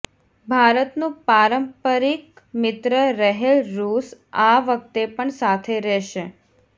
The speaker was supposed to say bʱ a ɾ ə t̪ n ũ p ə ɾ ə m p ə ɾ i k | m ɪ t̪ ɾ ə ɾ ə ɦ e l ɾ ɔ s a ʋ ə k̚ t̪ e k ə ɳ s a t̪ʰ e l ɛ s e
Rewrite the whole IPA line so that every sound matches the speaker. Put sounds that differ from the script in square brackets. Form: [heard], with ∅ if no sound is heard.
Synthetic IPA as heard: bʱ a ɾ ə t̪ n ũ p [a] ɾ ə m p ə ɾ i k | m ɪ t̪ ɾ ə ɾ ə ɦ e l ɾ [u] s a ʋ ə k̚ t̪ e [p] ə ɳ s a t̪ʰ e [ɾ] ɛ [ʃ] e